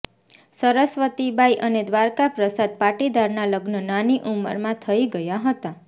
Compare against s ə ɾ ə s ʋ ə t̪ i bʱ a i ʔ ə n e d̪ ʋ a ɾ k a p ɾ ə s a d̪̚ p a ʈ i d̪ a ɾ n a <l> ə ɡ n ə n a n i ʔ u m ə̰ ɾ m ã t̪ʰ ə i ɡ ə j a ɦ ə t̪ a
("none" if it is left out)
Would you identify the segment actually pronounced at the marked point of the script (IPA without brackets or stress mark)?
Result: l